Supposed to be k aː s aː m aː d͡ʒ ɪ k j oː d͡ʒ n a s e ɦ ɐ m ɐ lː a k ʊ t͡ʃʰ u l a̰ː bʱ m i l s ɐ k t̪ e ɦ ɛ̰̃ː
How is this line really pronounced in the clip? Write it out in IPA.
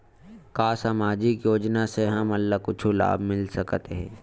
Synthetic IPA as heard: k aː s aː m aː d͡ʒ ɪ k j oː d͡ʒ n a s e ɦ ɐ m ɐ lː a k ʊ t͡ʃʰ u l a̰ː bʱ m ɪ l s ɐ k t̪ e ɦ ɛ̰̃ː